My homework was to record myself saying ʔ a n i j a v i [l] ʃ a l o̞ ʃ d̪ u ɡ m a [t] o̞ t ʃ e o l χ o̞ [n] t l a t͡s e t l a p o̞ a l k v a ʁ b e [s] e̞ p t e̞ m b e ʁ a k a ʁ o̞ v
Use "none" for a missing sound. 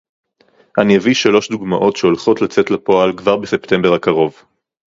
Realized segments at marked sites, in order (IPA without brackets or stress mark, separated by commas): none, ʔ, none, s